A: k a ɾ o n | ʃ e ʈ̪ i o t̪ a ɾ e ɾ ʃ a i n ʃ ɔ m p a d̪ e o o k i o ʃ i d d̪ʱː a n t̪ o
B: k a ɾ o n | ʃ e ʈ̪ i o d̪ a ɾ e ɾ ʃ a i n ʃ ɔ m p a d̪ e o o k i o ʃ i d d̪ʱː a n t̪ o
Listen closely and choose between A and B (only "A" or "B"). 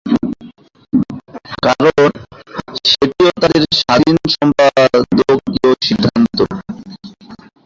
A